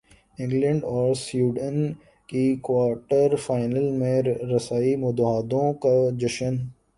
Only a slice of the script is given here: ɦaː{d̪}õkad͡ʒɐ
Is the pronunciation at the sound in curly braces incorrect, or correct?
correct